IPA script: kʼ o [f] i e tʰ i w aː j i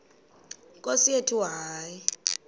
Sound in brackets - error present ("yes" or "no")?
yes